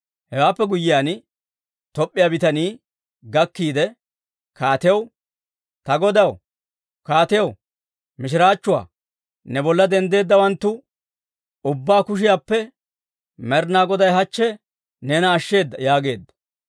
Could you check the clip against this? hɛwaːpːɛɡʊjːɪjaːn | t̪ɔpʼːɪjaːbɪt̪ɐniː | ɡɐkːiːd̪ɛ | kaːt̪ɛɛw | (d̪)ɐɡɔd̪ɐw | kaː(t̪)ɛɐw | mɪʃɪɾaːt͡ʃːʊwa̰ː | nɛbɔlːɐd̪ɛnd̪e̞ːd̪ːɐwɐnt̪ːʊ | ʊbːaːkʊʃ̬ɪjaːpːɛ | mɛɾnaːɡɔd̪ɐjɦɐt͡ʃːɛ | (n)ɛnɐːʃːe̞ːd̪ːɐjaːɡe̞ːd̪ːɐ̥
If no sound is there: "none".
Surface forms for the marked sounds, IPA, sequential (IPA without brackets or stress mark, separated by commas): t̪, t̪, n